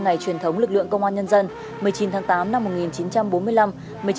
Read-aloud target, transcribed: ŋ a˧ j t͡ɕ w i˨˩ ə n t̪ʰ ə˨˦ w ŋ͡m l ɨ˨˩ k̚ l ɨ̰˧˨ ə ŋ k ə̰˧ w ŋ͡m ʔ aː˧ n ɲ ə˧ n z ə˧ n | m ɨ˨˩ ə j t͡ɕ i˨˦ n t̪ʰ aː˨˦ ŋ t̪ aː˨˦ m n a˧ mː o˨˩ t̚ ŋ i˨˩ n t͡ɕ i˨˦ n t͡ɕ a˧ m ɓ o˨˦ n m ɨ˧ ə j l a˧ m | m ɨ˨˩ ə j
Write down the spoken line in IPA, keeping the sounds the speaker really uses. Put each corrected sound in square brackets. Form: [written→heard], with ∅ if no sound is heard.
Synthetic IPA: ŋ [a˧→a˨˩] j t͡ɕ w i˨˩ ə n t̪ʰ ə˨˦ w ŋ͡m l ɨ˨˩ k̚ l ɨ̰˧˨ ə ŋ k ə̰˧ w ŋ͡m ʔ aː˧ n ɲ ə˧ n z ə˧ n | m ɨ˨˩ ə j t͡ɕ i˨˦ n t̪ʰ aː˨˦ ŋ t̪ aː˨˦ m n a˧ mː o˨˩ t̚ ŋ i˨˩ n t͡ɕ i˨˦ n t͡ɕ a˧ m ɓ o˨˦ n m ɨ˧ ə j l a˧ m | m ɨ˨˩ ə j